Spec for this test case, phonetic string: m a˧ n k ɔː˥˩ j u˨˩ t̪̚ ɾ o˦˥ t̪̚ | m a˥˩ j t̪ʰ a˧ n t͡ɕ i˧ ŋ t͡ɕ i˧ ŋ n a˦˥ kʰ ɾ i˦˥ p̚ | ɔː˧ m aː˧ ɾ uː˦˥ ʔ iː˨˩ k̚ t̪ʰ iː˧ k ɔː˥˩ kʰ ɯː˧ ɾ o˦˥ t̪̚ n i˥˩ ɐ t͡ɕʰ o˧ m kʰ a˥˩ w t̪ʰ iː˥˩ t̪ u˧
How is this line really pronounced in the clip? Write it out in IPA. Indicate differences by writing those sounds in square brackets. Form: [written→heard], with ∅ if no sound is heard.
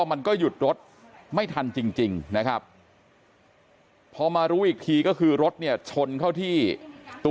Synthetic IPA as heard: m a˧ n k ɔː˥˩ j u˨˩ t̪̚ ɾ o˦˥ t̪̚ | m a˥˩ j t̪ʰ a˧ n t͡ɕ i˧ ŋ t͡ɕ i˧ ŋ n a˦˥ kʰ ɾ [i˦˥→a˦˥] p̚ | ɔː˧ m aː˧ ɾ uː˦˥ ʔ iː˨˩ k̚ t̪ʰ iː˧ k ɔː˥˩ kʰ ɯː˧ ɾ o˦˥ t̪̚ n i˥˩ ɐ t͡ɕʰ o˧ [m→n] kʰ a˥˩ w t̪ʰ iː˥˩ t̪ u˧